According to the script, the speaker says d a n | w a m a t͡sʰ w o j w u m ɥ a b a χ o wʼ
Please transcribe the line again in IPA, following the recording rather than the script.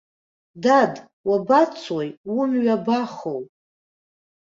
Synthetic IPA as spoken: d a d | w a b a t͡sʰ w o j w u m ɥ a b a χ o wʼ

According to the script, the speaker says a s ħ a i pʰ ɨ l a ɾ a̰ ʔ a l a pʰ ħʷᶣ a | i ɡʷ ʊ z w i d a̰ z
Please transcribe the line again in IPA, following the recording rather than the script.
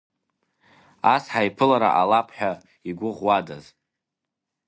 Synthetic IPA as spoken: a s ħ a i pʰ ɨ l a ɾ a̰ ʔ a l a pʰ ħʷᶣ a | i ɡʷ ʊ ʁ w a d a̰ z

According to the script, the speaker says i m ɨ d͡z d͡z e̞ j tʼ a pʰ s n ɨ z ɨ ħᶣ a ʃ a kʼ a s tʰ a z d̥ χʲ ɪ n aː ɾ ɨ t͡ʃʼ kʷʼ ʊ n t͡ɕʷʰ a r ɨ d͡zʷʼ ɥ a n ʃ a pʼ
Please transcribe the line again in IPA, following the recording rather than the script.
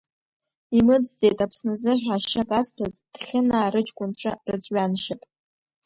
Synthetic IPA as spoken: i m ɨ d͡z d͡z e̞ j tʼ a pʰ s n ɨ z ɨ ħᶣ a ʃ a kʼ a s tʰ a z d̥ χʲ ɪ n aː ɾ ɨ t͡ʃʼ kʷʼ ʊ n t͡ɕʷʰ a r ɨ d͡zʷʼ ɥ a n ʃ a pʼ

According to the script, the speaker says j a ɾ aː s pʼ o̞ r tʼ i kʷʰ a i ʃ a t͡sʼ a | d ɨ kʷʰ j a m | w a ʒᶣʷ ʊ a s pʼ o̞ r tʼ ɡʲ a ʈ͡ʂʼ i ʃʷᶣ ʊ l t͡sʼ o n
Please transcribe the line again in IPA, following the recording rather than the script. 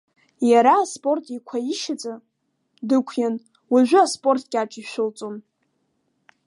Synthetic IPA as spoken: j a ɾ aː s pʼ o̞ r tʼ i kʷʰ a i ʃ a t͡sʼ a | d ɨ kʷʰ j a n | w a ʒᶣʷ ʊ a s pʼ o̞ r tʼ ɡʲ a ʈ͡ʂʼ i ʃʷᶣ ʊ l t͡sʼ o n

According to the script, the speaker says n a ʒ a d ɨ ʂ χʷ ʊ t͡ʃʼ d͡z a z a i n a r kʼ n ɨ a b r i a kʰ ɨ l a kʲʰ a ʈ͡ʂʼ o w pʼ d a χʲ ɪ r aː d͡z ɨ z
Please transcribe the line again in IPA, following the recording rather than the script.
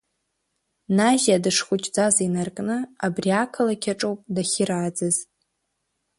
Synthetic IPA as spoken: n a ʒ a d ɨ ʂ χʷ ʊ t͡ʃʼ d͡z a z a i n a r kʼ n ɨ a b r i a kʰ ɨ l a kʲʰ a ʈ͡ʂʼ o w pʼ d a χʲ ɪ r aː d͡z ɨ z

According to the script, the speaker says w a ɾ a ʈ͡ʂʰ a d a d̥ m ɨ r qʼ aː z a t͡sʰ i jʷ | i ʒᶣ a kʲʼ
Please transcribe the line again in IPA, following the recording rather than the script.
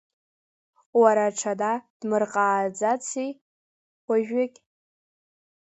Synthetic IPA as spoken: w a ɾ a ʈ͡ʂʰ a d a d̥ m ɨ r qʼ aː d͡z a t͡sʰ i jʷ | a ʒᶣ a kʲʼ

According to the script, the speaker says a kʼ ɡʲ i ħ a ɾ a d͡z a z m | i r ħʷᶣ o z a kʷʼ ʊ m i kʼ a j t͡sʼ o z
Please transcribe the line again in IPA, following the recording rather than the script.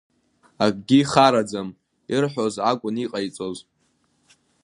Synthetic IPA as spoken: a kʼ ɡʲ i χ a ɾ a d͡z a m | i r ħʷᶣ o z a kʷʼ ʊ n i qʼ a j t͡sʼ o z

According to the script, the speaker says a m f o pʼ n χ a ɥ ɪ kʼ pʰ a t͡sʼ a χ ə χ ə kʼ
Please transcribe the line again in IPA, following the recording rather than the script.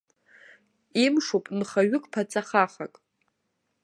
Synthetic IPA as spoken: i m ʂ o pʼ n χ a ɥ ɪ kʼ pʰ a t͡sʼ a χ a χ a kʼ

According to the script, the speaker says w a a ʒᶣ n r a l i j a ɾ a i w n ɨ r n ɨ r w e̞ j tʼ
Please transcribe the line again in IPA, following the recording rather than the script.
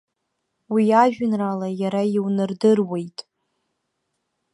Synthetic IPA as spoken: w i a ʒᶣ n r a l a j a ɾ a i w n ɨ r d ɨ r w e̞ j tʼ

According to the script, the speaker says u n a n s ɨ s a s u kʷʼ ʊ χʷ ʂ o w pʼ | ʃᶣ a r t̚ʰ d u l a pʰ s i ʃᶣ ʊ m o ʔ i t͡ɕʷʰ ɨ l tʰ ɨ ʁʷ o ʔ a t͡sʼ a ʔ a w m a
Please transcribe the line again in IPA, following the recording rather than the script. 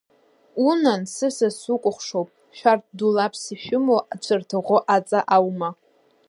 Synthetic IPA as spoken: u n a n s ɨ s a s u kʷʼ ʊ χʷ ʂ o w pʼ | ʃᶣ a r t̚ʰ d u l a pʰ s i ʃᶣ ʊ m o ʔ a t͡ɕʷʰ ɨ r tʰ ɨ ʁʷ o ʔ a t͡sʼ a ʔ a w m a

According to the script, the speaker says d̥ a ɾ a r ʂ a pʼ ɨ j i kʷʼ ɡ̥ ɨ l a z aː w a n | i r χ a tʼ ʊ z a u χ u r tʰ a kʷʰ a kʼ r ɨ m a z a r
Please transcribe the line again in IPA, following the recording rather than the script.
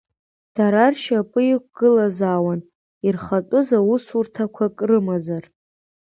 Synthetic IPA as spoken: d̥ a ɾ a r ʃ a pʼ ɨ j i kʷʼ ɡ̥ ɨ l a z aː w a n | i r χ a tʼ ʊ z a u s u r tʰ a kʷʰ a kʼ r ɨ m a z a r

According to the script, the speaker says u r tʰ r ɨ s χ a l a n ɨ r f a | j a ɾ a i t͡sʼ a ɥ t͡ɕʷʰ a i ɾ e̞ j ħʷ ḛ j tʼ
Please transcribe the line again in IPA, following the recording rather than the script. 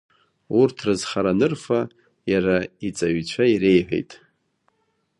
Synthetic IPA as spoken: u r tʰ r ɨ z χ a ɾ a n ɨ r f a | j a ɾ a i t͡sʼ a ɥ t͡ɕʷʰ a i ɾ e̞ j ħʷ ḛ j tʼ

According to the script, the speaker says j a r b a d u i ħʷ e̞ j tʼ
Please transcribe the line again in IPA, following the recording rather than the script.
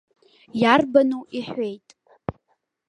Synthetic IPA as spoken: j a r b a n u i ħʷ e̞ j tʼ

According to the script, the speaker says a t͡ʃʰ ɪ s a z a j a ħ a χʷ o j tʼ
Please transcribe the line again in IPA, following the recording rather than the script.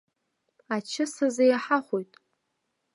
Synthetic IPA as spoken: a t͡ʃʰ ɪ s a z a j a ħ a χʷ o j tʼ

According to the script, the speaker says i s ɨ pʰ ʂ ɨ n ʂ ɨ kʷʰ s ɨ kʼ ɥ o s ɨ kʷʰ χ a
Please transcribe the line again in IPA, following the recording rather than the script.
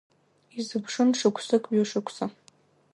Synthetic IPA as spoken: i z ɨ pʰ ʂ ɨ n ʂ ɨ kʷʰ s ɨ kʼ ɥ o ʂ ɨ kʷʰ s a

